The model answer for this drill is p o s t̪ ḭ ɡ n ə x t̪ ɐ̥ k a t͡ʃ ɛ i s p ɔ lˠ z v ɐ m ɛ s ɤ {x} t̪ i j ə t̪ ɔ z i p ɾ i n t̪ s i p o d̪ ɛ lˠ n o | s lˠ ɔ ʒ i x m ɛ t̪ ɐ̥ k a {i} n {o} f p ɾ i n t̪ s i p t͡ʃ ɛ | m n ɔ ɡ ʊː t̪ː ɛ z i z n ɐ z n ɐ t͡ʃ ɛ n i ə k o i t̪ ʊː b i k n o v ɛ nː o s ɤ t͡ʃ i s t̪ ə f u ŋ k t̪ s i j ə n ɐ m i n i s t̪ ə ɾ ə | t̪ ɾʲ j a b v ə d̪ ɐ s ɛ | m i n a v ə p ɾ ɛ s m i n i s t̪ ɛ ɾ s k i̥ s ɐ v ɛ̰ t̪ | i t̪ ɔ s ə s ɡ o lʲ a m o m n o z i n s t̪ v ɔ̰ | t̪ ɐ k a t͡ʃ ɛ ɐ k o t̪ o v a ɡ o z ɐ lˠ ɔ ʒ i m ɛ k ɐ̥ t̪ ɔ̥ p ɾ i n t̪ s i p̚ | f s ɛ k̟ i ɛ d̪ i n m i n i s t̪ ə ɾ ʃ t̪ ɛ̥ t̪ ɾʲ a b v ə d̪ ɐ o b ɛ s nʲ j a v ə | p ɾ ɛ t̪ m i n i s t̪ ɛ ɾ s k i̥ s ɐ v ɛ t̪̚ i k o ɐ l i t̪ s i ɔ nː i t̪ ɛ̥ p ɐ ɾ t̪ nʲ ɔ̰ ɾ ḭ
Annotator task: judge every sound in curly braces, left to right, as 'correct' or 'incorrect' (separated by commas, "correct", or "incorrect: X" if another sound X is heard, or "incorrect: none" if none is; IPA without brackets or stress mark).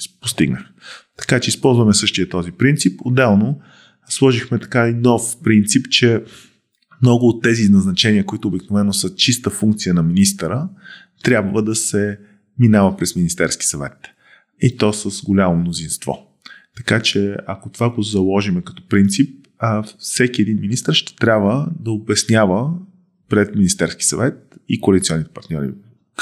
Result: incorrect: ʃ, correct, incorrect: ɔ